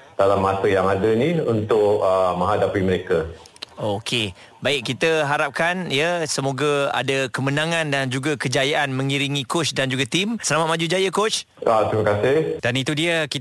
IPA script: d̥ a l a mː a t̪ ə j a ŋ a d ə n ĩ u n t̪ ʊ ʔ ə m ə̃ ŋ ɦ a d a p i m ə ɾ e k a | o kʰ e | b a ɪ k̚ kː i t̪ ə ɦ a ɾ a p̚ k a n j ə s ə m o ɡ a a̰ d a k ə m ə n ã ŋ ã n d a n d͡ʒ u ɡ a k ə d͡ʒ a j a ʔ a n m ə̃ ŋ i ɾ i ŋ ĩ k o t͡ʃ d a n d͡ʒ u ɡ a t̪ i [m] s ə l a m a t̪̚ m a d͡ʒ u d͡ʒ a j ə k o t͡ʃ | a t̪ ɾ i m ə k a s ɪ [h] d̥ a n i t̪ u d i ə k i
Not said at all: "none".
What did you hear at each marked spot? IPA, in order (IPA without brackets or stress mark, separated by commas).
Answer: m, h